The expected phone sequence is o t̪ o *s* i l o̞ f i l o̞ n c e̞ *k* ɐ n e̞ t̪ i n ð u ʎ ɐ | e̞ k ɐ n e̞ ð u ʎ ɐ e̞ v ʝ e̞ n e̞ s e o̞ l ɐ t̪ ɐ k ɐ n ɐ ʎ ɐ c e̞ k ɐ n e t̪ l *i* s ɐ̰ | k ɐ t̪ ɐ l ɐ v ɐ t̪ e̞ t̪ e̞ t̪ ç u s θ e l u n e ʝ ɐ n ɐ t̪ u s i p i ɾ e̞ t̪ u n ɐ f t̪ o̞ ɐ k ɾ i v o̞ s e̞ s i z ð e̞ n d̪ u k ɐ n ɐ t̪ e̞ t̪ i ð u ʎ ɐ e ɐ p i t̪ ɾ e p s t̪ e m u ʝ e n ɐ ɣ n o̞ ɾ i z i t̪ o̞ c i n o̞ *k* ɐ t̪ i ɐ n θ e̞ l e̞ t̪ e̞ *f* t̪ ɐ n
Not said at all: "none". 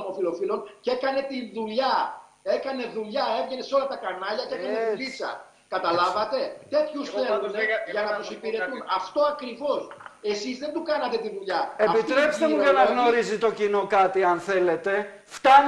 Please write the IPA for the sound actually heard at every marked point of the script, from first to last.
f, k, i, k, f

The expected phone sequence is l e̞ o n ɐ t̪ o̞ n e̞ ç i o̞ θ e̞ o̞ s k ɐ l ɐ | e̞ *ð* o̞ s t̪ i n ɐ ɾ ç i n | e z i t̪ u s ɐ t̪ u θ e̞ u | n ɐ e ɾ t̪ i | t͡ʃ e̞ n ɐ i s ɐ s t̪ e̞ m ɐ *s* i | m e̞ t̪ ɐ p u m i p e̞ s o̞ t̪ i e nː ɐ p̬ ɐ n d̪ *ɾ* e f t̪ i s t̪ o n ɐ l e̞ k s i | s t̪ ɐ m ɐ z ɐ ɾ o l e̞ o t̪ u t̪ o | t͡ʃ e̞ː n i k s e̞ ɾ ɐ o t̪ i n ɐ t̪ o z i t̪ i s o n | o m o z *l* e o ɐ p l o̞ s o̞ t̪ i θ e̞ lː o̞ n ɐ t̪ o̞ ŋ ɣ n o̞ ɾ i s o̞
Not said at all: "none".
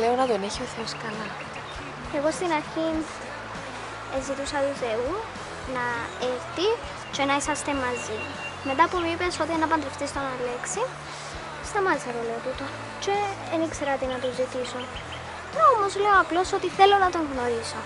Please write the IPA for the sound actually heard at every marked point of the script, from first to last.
ɣ, z, ɾ, l

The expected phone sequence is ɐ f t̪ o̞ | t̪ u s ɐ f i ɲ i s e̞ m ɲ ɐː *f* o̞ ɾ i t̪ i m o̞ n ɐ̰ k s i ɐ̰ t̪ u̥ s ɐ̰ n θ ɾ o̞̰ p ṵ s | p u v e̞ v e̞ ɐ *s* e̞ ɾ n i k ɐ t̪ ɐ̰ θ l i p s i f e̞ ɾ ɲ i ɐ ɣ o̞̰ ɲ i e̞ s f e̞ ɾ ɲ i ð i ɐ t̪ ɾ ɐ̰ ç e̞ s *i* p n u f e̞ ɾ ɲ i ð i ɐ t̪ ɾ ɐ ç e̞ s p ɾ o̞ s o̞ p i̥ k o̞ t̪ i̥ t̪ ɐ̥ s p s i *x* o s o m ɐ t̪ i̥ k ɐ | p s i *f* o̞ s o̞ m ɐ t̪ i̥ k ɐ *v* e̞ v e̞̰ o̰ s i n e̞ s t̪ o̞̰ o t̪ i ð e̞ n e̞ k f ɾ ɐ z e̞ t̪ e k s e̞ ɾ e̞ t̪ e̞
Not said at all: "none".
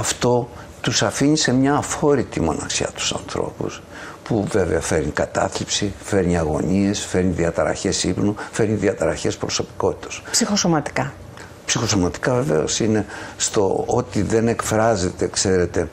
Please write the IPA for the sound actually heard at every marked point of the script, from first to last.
f, f, i, x, x, v

